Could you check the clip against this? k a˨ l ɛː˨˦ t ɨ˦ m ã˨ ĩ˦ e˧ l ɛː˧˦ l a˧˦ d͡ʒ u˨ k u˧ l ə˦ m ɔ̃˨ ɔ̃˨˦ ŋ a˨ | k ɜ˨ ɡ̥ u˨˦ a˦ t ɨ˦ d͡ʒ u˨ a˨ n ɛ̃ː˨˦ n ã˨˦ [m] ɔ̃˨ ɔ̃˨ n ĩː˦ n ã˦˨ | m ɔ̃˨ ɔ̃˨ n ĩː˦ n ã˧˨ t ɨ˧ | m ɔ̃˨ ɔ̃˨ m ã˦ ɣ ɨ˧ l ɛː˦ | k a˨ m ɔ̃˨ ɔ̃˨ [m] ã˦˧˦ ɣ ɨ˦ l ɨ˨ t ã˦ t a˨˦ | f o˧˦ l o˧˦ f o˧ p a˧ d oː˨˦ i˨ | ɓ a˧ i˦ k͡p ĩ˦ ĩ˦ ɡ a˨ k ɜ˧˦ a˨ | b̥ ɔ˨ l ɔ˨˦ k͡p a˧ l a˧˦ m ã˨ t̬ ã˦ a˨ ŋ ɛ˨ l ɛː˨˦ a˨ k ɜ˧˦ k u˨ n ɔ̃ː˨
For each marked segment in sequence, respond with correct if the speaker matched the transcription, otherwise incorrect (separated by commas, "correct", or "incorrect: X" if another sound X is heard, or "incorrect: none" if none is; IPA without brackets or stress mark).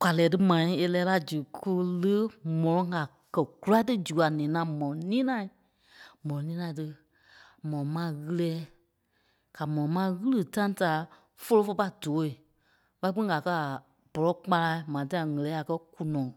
correct, correct